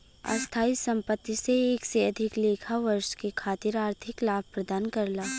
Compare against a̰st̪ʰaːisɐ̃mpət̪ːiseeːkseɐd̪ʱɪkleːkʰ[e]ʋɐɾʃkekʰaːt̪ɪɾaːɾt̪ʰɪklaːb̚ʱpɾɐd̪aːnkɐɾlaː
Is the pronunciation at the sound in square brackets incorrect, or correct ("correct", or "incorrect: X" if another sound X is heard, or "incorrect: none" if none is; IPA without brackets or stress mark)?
incorrect: a